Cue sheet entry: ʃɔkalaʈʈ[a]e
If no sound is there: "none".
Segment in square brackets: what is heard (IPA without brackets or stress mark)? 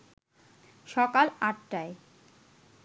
a